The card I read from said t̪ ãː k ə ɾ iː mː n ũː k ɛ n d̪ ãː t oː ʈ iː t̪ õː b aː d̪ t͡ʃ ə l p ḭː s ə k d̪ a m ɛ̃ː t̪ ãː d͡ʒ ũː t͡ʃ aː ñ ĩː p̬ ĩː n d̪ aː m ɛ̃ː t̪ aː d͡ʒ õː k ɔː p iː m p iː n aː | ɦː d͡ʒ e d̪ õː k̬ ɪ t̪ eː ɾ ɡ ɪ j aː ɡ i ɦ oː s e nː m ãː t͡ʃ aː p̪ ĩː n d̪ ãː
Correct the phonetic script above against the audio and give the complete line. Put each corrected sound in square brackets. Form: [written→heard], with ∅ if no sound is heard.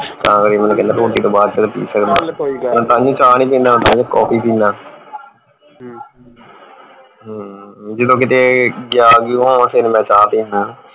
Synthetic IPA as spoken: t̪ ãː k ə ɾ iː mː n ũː k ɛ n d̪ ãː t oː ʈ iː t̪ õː b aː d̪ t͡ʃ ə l p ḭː s ə k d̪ a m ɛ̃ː t̪ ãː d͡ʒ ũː t͡ʃ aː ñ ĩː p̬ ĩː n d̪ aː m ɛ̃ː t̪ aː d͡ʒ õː k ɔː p iː [m→∅] p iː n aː | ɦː d͡ʒ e d̪ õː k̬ ɪ t̪ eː [ɾ→∅] ɡ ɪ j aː ɡ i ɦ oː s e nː m [ãː→ɛ̃ː] t͡ʃ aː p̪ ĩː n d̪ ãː